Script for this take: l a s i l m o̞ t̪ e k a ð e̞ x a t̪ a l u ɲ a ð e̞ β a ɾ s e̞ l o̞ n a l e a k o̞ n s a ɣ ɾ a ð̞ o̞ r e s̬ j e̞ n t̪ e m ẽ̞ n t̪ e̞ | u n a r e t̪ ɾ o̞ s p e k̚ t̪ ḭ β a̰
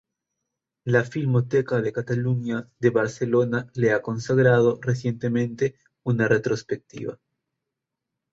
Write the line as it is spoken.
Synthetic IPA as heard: l a f i l m o̞ t̪ e k a ð e̞ k a t̪ a l u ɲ a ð e̞ β a ɾ s e̞ l o̞ n a l e a k o̞ n s a ɣ ɾ a ð̞ o̞ r e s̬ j e̞ n t̪ e m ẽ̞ n t̪ e̞ | u n a r e t̪ ɾ o̞ s p e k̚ t̪ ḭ β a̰